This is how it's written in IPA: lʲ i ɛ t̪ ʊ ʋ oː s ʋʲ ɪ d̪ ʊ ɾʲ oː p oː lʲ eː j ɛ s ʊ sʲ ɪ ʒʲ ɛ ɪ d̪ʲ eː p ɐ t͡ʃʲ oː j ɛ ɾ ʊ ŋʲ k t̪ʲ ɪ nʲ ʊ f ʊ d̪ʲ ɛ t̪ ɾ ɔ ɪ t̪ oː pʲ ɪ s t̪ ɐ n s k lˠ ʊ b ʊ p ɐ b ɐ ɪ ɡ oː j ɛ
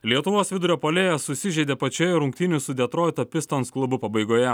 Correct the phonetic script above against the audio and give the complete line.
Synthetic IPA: lʲ i ɛ t̪ ʊ ʋ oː s ʋʲ ɪ d̪ ʊ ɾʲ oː p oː lʲ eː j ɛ s ʊ sʲ ɪ ʒʲ ɛ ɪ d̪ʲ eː p ɐ t͡ʃʲ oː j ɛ ɾ ʊ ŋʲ k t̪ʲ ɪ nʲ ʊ s ʊ d̪ʲ ɛ t̪ ɾ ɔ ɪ t̪ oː pʲ ɪ s t̪ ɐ n s k lˠ ʊ b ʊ p ɐ b ɐ ɪ ɡ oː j ɛ